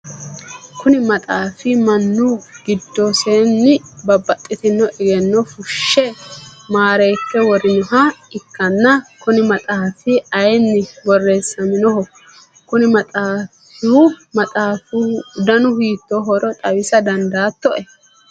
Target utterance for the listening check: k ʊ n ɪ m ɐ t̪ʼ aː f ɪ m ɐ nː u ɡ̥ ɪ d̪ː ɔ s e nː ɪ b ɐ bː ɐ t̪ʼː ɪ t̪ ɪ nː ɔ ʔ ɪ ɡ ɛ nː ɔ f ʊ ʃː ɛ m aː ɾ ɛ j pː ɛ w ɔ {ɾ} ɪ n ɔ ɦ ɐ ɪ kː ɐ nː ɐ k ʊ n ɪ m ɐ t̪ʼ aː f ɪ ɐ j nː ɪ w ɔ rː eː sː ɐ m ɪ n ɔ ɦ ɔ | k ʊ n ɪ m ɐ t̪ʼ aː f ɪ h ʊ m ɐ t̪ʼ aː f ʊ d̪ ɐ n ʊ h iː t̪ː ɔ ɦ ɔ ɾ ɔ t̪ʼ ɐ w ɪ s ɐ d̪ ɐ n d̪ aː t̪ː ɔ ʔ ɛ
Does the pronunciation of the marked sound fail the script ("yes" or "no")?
no